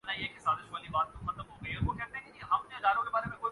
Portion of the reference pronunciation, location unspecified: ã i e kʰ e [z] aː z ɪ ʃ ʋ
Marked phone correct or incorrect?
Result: incorrect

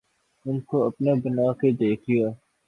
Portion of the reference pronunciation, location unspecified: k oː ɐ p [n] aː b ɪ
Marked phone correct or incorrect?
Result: correct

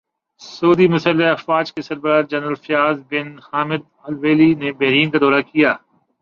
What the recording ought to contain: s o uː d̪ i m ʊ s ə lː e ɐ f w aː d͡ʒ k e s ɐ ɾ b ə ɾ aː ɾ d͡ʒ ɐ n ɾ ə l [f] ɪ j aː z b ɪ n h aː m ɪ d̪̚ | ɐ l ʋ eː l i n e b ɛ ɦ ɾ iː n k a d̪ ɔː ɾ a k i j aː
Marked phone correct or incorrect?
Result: correct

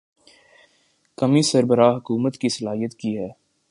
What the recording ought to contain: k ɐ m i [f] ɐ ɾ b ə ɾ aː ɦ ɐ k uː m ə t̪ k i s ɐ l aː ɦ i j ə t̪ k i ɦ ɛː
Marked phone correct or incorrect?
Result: incorrect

